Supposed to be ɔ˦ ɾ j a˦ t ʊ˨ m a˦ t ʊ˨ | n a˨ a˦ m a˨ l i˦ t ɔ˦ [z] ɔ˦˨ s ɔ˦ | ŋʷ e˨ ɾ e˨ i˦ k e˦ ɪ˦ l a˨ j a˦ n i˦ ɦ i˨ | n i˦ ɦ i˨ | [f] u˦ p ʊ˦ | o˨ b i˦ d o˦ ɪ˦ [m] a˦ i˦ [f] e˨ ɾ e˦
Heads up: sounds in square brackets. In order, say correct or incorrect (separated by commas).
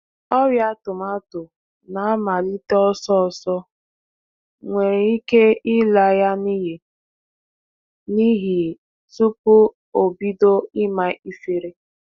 incorrect, incorrect, correct, correct